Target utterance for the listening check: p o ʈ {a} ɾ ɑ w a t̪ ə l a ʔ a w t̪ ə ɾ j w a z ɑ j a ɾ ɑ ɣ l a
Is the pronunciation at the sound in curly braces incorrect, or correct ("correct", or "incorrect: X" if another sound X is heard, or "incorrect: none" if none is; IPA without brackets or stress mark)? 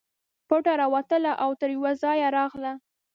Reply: correct